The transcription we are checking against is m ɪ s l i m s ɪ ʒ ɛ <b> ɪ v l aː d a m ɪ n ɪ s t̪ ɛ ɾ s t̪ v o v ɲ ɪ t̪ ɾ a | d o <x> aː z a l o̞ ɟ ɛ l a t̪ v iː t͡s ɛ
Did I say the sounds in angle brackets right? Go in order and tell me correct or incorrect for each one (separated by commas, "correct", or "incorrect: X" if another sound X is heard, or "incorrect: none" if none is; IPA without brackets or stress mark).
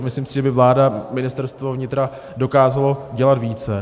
correct, incorrect: k